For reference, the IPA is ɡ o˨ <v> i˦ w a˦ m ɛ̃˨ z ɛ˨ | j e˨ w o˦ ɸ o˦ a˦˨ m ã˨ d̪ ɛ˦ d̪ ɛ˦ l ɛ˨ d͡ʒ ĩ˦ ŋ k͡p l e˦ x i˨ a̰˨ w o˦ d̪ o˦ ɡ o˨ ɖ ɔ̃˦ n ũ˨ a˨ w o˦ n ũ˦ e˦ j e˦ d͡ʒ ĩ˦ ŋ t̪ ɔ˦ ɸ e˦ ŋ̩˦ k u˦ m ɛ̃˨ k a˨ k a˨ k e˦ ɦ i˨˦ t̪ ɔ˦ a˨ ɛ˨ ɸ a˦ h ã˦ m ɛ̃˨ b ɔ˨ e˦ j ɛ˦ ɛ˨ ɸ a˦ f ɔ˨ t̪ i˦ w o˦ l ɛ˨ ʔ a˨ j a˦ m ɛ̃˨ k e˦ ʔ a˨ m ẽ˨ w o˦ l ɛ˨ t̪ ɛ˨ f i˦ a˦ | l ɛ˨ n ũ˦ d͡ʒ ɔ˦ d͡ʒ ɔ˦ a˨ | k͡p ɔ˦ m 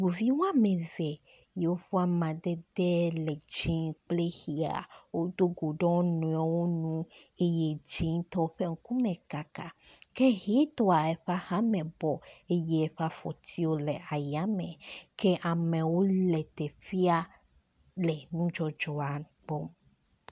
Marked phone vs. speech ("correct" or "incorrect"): correct